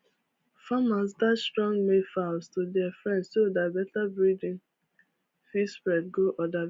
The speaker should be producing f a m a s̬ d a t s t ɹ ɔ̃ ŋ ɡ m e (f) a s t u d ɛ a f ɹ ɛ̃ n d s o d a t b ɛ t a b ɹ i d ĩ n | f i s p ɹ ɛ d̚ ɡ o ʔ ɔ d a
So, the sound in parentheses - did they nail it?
yes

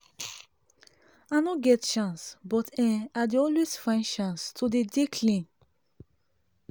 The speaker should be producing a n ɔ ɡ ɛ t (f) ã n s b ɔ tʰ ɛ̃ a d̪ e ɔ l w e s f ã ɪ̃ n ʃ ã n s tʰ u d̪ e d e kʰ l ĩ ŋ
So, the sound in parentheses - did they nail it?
no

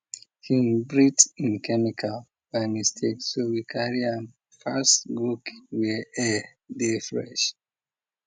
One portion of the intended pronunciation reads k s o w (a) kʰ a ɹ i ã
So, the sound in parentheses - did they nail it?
no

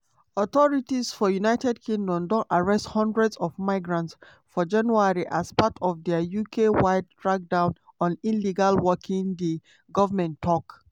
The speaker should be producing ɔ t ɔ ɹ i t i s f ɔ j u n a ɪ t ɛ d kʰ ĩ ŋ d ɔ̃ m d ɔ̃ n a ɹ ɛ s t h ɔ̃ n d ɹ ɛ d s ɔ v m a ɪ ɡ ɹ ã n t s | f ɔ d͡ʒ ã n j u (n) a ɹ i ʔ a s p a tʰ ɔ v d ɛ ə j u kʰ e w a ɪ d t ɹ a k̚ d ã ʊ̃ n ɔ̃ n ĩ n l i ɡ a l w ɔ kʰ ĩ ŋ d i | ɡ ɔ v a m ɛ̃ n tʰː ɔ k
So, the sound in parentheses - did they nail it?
no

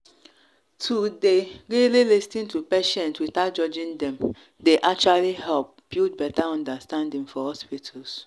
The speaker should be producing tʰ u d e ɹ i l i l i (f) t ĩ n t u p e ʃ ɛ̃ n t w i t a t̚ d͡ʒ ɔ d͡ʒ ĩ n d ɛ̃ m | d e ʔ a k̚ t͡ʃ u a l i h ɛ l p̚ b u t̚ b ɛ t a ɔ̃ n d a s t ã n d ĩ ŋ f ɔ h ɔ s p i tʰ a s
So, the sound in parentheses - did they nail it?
no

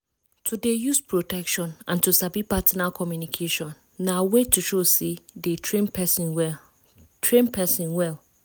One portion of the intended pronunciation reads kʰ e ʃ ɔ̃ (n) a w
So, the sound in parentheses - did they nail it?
no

